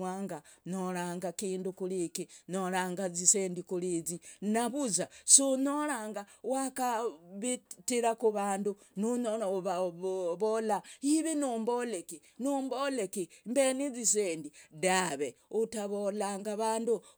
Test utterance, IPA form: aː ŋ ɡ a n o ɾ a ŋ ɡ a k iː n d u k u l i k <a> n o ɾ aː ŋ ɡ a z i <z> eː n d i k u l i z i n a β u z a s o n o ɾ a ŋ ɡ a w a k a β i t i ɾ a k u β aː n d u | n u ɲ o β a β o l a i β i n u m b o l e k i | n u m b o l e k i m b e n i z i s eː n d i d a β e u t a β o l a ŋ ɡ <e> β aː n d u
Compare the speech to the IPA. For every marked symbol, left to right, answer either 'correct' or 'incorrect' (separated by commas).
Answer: incorrect, incorrect, incorrect